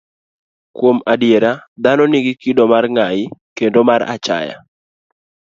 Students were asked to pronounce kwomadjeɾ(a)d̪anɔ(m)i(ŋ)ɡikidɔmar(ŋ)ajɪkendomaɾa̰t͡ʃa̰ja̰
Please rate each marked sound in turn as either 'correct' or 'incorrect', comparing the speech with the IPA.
correct, incorrect: n, incorrect: none, correct

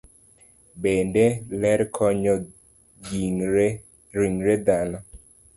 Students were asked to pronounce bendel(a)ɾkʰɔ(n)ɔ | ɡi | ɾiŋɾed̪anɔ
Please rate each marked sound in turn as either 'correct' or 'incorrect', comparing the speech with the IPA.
incorrect: ɛ, incorrect: ɲ

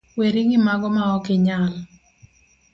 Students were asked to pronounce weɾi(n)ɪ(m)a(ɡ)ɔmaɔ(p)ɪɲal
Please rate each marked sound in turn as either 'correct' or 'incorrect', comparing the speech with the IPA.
incorrect: ŋ, correct, correct, incorrect: k

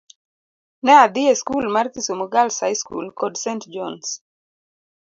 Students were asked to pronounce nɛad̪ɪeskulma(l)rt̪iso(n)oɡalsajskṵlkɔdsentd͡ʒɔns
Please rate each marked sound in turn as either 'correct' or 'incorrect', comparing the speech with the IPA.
incorrect: none, incorrect: m

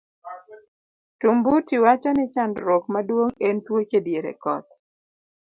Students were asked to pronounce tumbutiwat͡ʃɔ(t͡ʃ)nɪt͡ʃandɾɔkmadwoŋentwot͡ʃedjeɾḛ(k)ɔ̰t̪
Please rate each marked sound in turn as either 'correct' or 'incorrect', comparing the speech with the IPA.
incorrect: none, correct

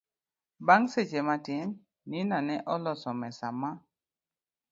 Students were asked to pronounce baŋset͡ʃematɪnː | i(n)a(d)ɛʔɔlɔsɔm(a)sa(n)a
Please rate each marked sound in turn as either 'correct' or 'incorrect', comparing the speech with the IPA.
correct, incorrect: n, incorrect: ɛ, incorrect: m

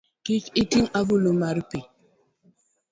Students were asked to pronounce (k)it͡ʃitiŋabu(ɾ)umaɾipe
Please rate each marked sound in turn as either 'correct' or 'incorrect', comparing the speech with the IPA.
correct, incorrect: l

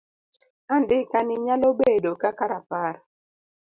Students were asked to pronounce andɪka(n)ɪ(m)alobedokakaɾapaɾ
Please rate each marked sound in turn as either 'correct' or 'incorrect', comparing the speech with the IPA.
correct, incorrect: ɲ

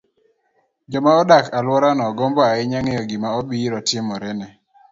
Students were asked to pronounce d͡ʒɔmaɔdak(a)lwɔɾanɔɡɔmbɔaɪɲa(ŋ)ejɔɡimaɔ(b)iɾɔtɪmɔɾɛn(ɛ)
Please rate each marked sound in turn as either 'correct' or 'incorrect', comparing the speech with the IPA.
correct, correct, correct, correct

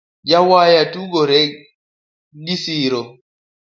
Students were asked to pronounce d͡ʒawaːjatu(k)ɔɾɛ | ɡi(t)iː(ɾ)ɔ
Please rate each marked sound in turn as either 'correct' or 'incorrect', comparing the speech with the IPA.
incorrect: ɡ, incorrect: s, correct

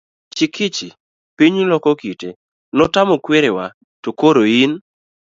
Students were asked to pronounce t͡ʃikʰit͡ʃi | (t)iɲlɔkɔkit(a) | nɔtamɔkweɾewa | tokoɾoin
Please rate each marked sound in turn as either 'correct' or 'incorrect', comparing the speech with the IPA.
incorrect: p, incorrect: e

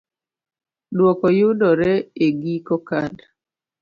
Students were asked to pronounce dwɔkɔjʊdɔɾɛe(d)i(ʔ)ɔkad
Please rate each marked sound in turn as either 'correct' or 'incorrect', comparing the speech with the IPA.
incorrect: ɡ, incorrect: k

